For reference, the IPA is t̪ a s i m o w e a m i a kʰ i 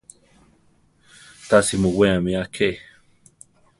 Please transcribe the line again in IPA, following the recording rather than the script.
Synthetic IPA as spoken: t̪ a s i m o w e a m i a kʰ e